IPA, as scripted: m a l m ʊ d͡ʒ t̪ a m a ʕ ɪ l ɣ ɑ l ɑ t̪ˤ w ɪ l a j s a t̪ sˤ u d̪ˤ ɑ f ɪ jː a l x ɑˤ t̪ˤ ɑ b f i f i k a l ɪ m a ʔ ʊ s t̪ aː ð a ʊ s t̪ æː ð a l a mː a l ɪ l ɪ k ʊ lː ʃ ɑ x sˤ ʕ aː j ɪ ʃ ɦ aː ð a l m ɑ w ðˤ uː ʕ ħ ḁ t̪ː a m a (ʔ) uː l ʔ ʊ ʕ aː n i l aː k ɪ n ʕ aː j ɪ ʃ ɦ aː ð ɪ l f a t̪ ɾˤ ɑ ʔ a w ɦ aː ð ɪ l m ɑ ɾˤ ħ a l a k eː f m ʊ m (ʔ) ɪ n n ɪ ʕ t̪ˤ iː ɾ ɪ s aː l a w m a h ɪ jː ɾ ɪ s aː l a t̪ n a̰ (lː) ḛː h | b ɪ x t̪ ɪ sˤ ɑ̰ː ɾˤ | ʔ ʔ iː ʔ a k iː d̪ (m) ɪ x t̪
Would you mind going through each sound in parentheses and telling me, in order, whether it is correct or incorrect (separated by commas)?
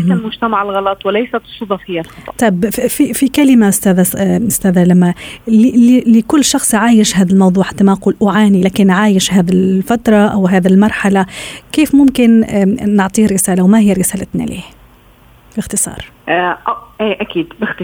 incorrect, incorrect, incorrect, incorrect